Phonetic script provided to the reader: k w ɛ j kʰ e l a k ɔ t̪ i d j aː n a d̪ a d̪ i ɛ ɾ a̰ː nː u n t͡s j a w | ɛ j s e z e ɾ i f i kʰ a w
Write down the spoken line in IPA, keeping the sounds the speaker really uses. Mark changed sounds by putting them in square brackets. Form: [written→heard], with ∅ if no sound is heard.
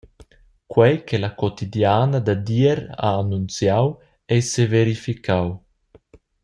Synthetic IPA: k w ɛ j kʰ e l a k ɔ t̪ i d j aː n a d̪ a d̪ i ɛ ɾ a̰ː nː u n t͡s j a w | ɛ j s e [z→v] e ɾ i f i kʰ a w